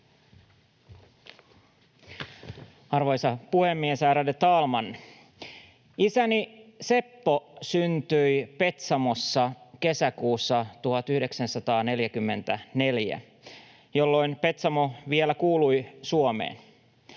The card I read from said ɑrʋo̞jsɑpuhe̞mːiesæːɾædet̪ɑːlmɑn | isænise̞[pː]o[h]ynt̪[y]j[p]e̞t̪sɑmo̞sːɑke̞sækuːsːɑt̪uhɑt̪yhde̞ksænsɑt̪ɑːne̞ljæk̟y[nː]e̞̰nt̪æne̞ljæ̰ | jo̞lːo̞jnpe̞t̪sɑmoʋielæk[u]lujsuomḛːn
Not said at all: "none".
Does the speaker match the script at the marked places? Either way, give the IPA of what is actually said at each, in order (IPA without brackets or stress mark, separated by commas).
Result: pː, s, y, p, mː, uː